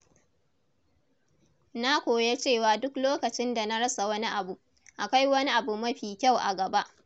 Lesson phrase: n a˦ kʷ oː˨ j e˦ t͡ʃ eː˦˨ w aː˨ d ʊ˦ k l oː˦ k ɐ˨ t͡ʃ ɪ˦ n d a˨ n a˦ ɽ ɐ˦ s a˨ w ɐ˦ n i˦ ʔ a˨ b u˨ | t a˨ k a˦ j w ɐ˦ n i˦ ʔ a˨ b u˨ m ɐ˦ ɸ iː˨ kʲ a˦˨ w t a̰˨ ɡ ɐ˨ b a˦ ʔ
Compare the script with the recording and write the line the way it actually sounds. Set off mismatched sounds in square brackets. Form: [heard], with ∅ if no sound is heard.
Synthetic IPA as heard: n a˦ kʷ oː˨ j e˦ t͡ʃ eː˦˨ w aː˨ d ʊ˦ k l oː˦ k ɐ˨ t͡ʃ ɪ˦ n d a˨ n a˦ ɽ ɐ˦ s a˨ w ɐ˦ n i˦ ʔ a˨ b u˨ | [ʔ] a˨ k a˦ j w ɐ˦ n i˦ ʔ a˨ b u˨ m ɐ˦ ɸ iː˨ kʲ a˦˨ w [ʔ] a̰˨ ɡ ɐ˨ b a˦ ʔ